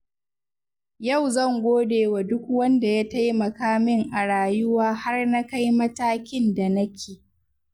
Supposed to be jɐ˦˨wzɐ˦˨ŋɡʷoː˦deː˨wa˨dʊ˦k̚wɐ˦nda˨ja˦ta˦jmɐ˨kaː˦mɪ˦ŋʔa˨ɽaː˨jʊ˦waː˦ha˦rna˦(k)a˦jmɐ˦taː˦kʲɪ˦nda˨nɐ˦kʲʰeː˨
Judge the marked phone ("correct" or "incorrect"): correct